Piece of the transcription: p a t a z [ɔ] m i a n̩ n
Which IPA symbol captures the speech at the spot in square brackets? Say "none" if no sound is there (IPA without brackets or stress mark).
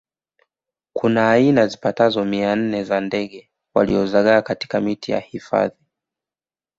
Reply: ɔ